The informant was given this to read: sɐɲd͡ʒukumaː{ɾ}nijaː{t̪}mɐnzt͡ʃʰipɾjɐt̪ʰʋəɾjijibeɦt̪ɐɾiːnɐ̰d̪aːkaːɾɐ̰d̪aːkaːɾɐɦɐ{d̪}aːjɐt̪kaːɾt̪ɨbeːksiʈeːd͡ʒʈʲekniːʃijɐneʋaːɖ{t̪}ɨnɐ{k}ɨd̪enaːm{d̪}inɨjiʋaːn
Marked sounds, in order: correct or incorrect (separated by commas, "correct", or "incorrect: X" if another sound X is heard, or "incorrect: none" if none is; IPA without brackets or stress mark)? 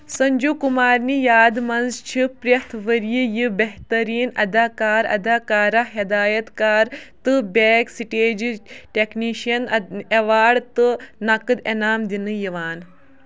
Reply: correct, incorrect: d̪, correct, correct, correct, correct